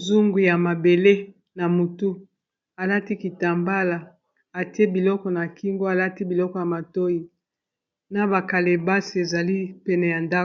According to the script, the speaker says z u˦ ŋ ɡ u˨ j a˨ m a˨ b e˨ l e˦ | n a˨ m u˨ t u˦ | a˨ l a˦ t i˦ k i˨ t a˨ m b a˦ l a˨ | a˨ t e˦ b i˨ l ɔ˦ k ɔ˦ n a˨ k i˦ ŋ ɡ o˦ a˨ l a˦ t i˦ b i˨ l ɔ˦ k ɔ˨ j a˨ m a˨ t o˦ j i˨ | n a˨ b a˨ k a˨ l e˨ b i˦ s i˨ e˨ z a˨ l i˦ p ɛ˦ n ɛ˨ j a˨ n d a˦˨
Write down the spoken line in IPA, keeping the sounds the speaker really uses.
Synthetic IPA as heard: z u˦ ŋ ɡ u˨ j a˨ m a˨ b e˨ l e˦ | n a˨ m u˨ t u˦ | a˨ l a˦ t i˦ k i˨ t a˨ m b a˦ l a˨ | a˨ t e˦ b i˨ l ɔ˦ k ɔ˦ n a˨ k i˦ ŋ ɡ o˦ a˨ l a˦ t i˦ b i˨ l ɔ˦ k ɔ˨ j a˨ m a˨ t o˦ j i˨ | n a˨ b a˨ k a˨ l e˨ b a˦ s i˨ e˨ z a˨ l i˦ p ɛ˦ n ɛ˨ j a˨ n d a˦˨